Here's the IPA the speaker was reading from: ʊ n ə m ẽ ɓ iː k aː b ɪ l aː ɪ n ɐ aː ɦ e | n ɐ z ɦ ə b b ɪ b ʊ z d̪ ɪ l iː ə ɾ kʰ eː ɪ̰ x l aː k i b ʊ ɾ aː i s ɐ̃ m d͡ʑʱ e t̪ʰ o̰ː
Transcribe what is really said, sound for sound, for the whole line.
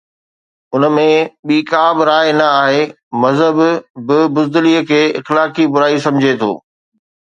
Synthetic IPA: ʊ n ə m ẽ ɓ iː k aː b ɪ ɾ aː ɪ n ɐ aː ɦ e | m ɐ z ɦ ə b b ɪ b ʊ z d̪ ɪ l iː ə kʰ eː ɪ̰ x l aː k i b ʊ ɾ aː i s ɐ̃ m d͡ʑʱ e t̪ʰ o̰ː